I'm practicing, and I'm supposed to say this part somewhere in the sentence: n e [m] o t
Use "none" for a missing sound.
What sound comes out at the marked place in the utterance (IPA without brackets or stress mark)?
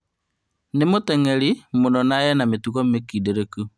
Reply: m